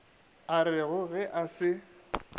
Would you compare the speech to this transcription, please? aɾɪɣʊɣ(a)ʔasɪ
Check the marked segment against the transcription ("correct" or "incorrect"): incorrect